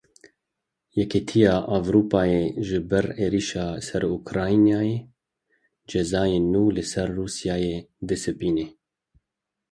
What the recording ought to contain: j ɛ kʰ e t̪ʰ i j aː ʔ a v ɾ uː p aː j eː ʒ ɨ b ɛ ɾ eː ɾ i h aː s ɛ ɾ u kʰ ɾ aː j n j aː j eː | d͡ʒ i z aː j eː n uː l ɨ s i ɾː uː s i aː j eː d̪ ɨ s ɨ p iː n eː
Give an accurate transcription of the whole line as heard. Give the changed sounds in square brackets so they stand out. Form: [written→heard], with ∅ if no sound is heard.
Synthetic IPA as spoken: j ɛ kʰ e t̪ʰ i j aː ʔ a v ɾ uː p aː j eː ʒ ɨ b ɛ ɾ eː ɾ i [h→ʃ] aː s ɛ ɾ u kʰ ɾ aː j n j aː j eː | d͡ʒ [i→ɛ] z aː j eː n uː l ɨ s [i→ɛ] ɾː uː s [i→j] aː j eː d̪ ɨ s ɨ p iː n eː